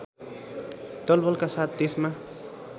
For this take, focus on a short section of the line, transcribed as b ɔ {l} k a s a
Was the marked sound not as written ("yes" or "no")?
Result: no